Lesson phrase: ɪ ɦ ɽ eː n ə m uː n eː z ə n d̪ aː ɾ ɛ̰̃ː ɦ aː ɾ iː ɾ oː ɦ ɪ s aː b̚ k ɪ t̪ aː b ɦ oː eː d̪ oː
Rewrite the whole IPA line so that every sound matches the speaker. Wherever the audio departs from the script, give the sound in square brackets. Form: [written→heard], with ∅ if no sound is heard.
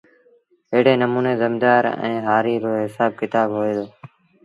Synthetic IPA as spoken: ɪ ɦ ɽ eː n ə m uː n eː z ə [n→m] d̪ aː ɾ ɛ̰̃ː ɦ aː ɾ iː ɾ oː ɦ ɪ s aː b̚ k ɪ t̪ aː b ɦ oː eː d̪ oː